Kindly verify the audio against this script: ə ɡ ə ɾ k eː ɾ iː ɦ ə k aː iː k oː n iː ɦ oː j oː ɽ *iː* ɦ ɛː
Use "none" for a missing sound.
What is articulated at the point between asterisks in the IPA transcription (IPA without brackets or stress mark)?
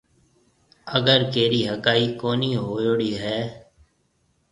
iː